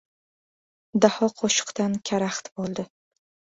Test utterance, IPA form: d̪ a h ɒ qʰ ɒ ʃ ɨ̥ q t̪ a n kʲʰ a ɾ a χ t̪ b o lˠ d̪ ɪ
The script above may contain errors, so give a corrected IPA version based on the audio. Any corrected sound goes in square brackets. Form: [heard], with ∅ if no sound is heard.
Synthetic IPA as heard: d̪ a h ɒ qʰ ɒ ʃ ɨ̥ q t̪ a n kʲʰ a ɾ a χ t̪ b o lˠ d̪ ɪ